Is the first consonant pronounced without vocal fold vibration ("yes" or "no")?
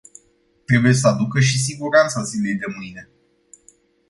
yes